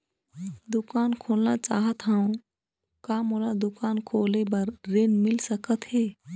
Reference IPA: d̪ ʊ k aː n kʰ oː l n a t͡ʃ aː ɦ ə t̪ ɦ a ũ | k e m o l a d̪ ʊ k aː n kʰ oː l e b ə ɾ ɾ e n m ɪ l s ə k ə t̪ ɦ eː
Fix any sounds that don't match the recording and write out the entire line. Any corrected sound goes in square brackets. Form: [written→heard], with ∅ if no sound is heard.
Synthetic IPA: d̪ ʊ k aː n kʰ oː l n a t͡ʃ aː ɦ ə t̪ ɦ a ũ | k [e→a] m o l a d̪ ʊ k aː n kʰ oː l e b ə ɾ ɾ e n m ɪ l s ə k ə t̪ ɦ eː